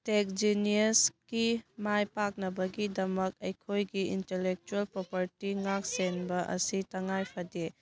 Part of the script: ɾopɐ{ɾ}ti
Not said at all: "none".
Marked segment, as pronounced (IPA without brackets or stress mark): ɾ